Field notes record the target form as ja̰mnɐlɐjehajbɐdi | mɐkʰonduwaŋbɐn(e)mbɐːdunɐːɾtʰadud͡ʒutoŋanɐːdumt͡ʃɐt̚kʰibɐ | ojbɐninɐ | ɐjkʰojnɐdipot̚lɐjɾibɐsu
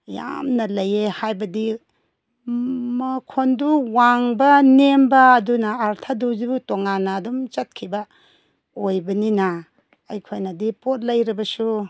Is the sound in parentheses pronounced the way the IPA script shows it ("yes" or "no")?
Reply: yes